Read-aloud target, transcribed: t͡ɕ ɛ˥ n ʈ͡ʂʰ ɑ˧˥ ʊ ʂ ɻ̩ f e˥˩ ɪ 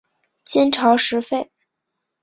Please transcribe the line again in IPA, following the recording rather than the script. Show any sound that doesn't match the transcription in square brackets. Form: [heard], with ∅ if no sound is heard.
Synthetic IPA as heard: t͡ɕ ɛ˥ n ʈ͡ʂʰ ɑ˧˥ ʊ ʂ ɻ̩ f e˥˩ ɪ